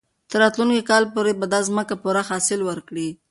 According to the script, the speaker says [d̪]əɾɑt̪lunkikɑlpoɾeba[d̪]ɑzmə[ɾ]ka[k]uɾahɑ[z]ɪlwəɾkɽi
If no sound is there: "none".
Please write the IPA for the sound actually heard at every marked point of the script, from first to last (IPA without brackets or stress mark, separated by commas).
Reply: t̪, d̪, none, p, s